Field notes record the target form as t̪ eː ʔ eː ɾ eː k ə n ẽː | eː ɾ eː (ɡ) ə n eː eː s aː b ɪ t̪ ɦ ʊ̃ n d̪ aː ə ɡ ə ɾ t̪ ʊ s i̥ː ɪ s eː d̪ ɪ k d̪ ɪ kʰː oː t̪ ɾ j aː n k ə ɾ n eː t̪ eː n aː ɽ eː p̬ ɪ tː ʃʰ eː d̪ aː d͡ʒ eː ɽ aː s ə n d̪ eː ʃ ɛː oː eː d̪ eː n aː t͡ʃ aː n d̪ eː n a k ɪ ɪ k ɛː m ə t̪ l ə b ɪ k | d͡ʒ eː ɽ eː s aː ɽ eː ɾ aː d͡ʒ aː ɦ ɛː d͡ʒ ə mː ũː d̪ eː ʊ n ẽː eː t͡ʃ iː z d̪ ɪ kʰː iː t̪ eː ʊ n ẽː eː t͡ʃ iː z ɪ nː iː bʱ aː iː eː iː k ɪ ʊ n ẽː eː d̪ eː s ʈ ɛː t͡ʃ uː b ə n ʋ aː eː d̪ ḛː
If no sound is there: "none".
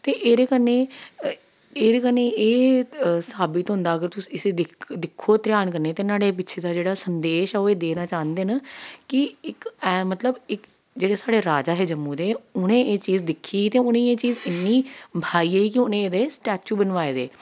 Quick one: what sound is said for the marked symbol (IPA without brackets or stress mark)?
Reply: k